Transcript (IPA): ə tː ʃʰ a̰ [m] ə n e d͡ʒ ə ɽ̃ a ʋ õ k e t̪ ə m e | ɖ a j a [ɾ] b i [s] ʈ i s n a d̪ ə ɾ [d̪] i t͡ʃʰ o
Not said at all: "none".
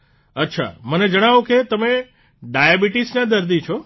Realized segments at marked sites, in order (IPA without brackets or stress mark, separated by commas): m, none, none, d̪